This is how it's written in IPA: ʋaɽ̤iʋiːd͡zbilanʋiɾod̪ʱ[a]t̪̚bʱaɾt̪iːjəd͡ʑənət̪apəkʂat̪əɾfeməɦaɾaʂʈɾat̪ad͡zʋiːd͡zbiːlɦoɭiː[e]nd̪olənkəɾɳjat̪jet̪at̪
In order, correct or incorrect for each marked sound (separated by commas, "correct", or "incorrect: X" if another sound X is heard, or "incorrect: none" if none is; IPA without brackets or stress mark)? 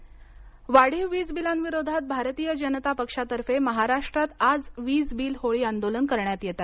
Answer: correct, incorrect: a